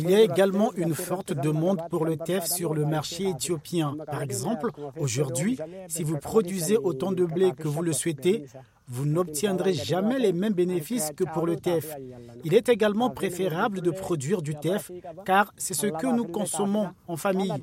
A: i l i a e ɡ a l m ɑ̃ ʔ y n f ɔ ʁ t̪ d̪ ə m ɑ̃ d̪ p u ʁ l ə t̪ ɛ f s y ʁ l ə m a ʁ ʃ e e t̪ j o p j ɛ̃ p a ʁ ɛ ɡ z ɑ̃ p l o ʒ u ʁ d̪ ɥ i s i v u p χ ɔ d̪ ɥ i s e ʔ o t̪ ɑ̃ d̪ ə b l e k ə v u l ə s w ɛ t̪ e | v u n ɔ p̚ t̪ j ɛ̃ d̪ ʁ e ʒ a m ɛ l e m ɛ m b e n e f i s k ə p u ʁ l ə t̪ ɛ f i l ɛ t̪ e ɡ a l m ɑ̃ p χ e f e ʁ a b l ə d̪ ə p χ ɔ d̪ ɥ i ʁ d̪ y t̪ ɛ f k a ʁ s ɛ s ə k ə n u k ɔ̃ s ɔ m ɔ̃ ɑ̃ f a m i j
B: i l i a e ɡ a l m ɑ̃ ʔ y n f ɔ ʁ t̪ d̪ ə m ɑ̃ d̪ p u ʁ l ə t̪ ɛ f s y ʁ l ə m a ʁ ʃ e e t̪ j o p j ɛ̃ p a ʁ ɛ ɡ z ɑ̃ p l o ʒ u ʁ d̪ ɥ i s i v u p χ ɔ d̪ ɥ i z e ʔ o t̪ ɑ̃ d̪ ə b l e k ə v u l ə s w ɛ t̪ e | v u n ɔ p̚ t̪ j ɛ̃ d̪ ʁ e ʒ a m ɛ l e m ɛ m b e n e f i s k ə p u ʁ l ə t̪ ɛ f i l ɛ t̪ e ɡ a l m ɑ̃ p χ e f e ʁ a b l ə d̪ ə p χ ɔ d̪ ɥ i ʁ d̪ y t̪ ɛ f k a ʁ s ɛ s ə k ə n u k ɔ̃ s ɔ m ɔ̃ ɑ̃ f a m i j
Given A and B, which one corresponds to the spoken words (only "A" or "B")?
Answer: B